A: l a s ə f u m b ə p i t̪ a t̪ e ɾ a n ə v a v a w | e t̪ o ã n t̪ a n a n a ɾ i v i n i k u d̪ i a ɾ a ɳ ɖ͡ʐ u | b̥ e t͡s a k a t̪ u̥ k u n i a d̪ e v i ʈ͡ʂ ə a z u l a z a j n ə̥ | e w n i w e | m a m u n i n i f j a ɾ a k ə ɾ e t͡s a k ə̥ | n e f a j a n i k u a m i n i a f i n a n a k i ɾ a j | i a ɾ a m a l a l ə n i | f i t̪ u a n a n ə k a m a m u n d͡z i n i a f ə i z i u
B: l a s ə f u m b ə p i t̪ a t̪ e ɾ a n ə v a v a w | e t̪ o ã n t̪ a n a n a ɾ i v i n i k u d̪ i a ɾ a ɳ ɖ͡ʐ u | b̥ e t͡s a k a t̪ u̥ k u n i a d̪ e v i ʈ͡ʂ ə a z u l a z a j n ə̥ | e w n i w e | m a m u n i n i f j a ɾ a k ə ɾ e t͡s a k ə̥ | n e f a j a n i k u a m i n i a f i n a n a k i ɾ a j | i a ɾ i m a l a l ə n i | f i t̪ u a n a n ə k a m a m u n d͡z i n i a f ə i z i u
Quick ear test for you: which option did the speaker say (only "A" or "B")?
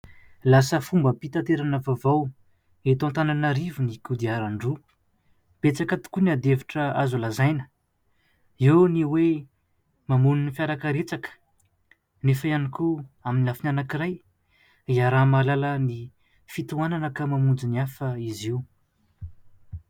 A